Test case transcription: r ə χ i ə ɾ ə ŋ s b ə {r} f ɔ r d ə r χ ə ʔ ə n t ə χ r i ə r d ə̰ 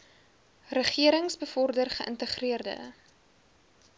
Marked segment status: incorrect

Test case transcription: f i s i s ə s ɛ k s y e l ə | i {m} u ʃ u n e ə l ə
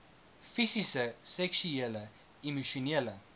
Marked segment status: correct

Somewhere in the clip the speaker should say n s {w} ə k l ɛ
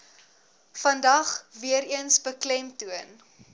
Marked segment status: incorrect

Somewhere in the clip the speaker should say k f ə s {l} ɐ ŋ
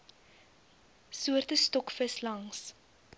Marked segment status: correct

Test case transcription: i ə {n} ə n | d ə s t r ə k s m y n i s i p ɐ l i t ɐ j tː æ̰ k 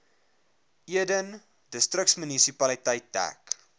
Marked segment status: incorrect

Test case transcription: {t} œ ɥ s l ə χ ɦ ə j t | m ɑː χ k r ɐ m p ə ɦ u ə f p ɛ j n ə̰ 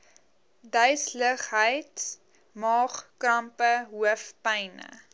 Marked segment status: incorrect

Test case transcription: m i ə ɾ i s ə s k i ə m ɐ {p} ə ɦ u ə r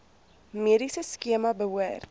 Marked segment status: incorrect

